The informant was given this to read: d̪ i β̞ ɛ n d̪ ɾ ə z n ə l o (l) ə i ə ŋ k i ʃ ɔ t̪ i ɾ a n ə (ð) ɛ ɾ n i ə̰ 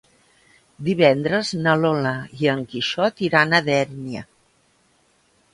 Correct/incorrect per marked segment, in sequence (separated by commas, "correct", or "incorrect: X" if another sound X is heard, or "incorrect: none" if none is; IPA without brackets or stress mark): correct, correct